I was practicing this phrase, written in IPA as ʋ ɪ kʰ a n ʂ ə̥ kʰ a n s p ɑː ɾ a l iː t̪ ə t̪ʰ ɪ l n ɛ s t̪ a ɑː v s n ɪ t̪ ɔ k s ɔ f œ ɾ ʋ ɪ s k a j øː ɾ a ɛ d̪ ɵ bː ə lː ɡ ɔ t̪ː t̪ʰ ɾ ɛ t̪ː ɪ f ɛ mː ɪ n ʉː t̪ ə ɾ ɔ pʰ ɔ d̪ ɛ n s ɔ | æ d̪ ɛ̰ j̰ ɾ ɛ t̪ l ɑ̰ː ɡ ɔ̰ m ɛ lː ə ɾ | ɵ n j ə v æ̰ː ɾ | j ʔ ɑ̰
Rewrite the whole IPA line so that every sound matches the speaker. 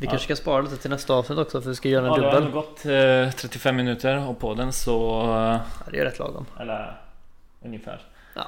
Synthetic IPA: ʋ ɪ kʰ a n ʂ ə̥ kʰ a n s p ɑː ɾ a l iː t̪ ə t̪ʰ ɪ l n ɛ s t̪ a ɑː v s n ɪ t̪ ɔ k s ɔ f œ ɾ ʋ ɪ s k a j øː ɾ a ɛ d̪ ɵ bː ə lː ɡ ɔ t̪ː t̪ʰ ɾ ɛ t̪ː ɪ f ɛ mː ɪ n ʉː t̪ ə ɾ ɔ pʰ ɔ d̪ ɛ n s ɔ | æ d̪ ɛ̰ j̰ ɾ ɛ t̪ l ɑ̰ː ɡ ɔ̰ m ɛ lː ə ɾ | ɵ n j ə f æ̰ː ɾ | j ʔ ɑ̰